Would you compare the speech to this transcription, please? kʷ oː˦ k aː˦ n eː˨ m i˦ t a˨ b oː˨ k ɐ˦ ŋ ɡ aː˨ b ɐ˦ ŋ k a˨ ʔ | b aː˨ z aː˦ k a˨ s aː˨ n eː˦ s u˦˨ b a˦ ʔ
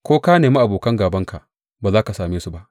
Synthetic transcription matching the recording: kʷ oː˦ k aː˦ n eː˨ m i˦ ʔ a˨ b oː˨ k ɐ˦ ŋ ɡ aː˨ b ɐ˦ ŋ k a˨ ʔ | b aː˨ z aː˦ k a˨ s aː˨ m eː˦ s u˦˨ b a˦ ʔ